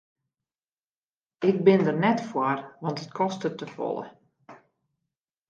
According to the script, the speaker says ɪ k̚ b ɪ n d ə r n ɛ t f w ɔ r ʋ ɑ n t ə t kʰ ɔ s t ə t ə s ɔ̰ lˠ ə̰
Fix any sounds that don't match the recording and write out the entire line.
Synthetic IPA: ɪ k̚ b ɪ n d ə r n ɛ t f w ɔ r ʋ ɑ n t ə t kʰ ɔ s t ə t ə f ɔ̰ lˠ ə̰